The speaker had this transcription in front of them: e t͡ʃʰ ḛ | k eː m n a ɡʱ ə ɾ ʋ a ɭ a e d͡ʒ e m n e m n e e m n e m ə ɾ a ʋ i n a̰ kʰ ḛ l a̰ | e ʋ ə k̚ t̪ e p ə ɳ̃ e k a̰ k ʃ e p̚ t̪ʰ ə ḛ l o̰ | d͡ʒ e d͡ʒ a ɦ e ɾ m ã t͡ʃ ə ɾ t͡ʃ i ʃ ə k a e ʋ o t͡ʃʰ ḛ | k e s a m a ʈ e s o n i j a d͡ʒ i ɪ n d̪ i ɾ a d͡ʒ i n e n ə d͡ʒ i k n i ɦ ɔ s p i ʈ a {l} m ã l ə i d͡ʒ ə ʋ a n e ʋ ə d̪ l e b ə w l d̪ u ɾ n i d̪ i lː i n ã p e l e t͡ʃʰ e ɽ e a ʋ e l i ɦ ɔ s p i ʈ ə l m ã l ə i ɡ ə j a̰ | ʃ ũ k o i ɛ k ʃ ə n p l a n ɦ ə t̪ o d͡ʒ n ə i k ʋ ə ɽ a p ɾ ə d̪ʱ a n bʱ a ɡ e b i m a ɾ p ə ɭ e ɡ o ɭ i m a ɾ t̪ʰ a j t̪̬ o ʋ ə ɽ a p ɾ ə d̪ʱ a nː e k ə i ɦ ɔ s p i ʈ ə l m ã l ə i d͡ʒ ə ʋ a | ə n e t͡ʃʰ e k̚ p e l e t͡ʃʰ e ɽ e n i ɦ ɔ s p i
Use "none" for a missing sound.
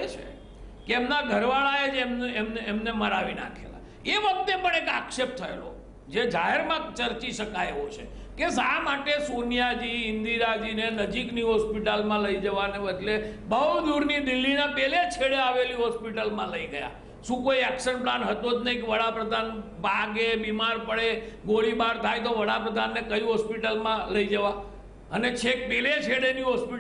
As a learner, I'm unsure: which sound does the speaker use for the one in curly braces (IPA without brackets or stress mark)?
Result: l